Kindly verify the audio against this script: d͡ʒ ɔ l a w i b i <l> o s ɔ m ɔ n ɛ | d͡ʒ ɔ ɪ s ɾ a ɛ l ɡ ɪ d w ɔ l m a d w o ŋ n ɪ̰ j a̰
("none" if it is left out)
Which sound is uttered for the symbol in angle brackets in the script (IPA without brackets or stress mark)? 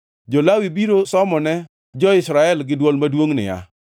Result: ɾ